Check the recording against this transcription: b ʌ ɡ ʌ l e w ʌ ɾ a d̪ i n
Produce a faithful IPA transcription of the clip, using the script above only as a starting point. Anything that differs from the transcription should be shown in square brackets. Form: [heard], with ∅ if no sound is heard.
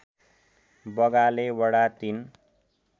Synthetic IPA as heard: b ʌ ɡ [a] l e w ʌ [ɽ] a [t̪] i n